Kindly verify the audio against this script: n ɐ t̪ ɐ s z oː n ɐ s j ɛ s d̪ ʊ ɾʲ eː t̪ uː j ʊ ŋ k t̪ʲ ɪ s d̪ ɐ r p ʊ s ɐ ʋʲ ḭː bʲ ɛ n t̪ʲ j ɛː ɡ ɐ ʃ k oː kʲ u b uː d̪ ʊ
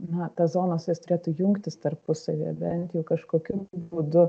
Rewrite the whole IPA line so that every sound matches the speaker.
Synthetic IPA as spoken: n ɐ t̪ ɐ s z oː n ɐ s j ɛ s t̪ ʊ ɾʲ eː t̪ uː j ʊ ŋ k t̪ʲ ɪ s t̪ ɐ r p ʊ s ɐ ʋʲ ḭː bʲ ɛ n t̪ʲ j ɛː k ɐ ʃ k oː kʲ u b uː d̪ ʊ

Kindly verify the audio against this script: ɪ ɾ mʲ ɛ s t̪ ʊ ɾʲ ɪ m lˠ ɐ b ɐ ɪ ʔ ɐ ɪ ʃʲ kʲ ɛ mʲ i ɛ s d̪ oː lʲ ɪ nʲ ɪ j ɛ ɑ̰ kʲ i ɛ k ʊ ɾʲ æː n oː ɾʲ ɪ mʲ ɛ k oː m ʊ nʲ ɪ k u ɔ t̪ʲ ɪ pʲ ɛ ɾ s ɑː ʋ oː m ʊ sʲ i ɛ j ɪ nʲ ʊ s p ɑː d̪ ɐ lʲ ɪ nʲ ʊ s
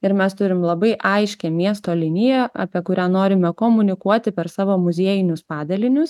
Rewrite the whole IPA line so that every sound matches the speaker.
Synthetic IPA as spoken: ɪ ɾ mʲ ɛ s t̪ ʊ ɾʲ ɪ m lˠ ɐ b ɐ ɪ ʔ ɐ ɪ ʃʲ kʲ ɛ mʲ i ɛ s t̪ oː lʲ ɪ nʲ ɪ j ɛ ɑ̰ pʲ i ɛ k ʊ ɾʲ æː n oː ɾʲ ɪ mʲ ɛ k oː m ʊ nʲ ɪ k u ɔ t̪ʲ ɪ pʲ ɛ ɾ s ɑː ʋ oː m ʊ zʲ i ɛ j ɪ nʲ ʊ s p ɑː d̪ ɐ lʲ ɪ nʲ ʊ s

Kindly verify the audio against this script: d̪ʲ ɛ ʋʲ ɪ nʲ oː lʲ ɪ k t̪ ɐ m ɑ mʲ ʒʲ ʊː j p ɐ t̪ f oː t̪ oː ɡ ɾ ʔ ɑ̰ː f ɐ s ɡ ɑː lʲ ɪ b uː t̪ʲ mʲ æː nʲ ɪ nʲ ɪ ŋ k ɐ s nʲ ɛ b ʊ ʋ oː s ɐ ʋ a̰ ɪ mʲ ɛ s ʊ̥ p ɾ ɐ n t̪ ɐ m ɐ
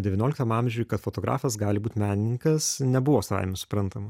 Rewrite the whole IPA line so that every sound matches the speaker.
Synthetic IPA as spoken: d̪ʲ ɛ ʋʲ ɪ nʲ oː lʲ ɪ k t̪ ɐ m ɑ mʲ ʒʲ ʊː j k ɐ t̪ f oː t̪ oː ɡ ɾ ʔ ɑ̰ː f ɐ s ɡ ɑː lʲ ɪ b uː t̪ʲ mʲ æː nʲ ɪ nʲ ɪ ŋ k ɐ s nʲ ɛ b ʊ ʋ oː s ɐ ʋ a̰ ɪ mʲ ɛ s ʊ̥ p ɾ ɐ n t̪ ɐ m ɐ

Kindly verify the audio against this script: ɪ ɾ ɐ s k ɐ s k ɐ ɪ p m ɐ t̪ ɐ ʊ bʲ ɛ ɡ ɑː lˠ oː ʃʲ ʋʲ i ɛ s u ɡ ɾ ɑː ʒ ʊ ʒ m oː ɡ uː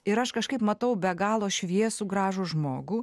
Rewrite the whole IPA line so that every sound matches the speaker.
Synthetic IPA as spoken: ɪ ɾ ɐ ʃ k ɐ ʃ k ɐ ɪ p m ɐ t̪ ɐ ʊ bʲ ɛ ɡ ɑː lˠ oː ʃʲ ʋʲ i ɛ s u ɡ ɾ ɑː ʒ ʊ ʒ m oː ɡ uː

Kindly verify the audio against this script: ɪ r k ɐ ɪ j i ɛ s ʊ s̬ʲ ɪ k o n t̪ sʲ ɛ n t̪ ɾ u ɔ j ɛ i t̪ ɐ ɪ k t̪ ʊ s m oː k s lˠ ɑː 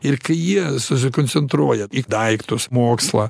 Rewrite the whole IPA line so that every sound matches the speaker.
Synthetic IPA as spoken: ɪ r k ɐ ɪ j i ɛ s ʊ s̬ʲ ɪ k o n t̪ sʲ ɛ n t̪ ɾ u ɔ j ɛ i d̪ ɐ ɪ k t̪ ʊ s m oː k s lˠ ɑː

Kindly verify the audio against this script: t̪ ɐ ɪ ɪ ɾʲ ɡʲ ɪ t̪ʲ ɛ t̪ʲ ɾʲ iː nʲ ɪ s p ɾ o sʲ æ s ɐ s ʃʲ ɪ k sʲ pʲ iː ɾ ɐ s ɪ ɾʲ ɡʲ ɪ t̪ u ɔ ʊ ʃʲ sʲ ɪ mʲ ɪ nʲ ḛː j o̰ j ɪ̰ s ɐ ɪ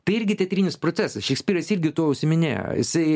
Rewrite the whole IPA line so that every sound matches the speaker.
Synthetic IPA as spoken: t̪ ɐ ɪ ɪ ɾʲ ɡʲ ɪ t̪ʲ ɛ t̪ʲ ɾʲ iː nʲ ɪ s p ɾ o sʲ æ s ɐ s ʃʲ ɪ k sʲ pʲ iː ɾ ɐ s ɪ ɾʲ ɡʲ ɪ t̪ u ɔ ʊ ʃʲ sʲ ɪ mʲ ɪ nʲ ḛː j o̰ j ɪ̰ s ɐ ɪ

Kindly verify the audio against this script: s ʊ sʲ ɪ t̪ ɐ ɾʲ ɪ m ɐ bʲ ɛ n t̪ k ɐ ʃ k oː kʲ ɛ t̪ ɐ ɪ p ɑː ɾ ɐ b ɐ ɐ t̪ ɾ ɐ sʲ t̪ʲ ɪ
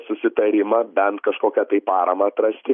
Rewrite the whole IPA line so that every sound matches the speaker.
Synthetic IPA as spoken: s ʊ sʲ ɪ t̪ ɐ ɾʲ ɪ m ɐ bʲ ɛ n t̪ k ɐ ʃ k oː kʲ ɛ t̪ ɐ ɪ p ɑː ɾ ɐ m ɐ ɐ t̪ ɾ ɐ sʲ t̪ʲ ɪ

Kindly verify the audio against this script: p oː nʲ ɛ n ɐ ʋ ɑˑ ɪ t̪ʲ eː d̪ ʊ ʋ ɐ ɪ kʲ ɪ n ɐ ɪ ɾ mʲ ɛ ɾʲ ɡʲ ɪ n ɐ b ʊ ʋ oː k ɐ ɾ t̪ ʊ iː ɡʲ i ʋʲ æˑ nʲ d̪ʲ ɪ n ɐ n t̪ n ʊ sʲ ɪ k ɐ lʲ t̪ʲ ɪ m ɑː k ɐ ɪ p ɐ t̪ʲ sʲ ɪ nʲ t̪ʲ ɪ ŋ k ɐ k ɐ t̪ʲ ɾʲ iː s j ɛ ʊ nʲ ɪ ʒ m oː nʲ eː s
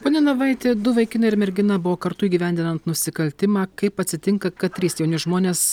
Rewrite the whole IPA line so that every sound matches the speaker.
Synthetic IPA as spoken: p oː nʲ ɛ n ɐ ʋ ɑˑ ɪ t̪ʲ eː d̪ ʊ ʋ ɐ ɪ kʲ ɪ n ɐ ɪ ɾ mʲ ɛ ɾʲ ɡʲ ɪ n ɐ b ʊ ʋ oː k ɐ ɾ t̪ ʊ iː ɡʲ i ʋʲ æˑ nʲ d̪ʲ ɪ n ɐ n t̪ n ʊ sʲ ɪ k ɐ lʲ t̪ʲ ɪ m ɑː k ɐ ɪ p ɐ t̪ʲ sʲ ɪ t̪ʲ ɪ ŋ k ɐ k ɐ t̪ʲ ɾʲ iː s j ɛ ʊ nʲ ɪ ʒ m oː nʲ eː s

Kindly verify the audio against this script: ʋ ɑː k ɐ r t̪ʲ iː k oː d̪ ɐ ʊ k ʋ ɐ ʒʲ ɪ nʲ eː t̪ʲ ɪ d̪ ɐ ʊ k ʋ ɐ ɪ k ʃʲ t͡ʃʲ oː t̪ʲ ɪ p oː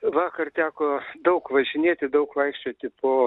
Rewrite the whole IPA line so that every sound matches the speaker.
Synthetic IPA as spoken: ʋ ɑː k ɐ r t̪ʲ æː k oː d̪ ɐ ʊ k ʋ ɐ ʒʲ ɪ nʲ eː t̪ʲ ɪ d̪ ɐ ʊ k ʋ ɐ ɪ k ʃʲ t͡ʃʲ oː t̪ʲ ɪ p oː

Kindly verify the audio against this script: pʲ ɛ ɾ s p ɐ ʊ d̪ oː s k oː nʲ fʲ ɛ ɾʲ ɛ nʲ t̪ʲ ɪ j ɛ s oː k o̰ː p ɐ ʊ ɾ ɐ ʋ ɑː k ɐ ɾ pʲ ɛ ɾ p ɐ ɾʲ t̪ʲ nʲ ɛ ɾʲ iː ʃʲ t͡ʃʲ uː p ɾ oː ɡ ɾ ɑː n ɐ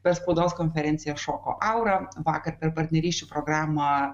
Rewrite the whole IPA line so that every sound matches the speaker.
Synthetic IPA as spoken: pʲ ɛ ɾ s p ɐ ʊ d̪ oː s k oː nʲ fʲ ɛ ɾʲ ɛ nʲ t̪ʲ ɪ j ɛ ʃ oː k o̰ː ʔ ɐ ʊ ɾ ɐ ʋ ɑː k ɐ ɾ pʲ ɛ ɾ p ɐ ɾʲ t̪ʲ nʲ ɛ ɾʲ iː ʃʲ t͡ʃʲ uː p ɾ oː ɡ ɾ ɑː m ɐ

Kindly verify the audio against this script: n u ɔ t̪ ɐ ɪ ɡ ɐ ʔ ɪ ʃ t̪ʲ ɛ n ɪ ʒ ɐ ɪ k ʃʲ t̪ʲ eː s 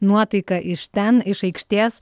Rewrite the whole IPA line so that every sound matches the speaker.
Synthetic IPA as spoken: n u ɔ t̪ ɐ ɪ k ɐ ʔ ɪ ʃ t̪ʲ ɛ n ɪ ʃ ɐ ɪ k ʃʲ t̪ʲ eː s

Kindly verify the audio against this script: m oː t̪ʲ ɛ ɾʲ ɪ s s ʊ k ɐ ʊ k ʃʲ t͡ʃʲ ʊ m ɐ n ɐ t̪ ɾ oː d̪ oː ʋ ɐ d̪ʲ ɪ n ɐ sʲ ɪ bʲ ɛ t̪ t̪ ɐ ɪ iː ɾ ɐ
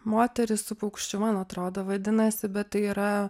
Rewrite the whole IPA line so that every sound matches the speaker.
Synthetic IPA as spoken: m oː t̪ʲ ɛ ɾʲ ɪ s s ʊ p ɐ ʊ k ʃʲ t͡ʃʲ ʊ m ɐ n ɐ t̪ ɾ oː d̪ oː ʋ ɐ d̪ʲ ɪ n ɐ sʲ ɪ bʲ ɛ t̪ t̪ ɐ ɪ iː ɾ ɐ

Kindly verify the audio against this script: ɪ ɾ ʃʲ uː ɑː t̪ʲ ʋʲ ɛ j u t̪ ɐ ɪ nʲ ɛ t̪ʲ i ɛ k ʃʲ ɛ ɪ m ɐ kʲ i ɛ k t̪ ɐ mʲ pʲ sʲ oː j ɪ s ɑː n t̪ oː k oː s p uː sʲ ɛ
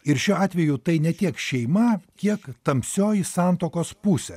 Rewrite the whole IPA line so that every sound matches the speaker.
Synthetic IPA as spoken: ɪ ɾ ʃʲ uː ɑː t̪ʲ ʋʲ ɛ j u t̪ ɐ ɪ nʲ ɛ t̪ʲ i ɛ k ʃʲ ɛ ɪ m ɐ kʲ i ɛ k t̪ ɐ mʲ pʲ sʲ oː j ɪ s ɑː n t̪ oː k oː s p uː sʲ ɛ

